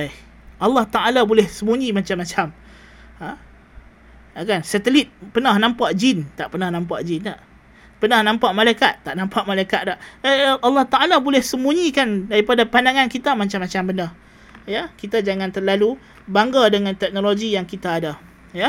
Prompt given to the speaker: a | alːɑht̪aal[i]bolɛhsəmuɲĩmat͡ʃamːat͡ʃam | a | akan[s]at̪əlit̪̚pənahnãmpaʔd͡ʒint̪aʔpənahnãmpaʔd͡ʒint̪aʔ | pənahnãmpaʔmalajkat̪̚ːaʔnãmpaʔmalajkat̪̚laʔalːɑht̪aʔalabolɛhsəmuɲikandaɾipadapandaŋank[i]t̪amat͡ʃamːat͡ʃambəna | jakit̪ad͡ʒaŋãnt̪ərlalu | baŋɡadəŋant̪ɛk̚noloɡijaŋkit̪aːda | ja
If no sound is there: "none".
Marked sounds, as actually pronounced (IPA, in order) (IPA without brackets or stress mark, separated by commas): a, s, i